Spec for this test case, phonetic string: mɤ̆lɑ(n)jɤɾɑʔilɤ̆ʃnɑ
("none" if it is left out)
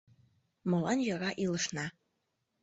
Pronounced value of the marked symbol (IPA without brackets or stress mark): n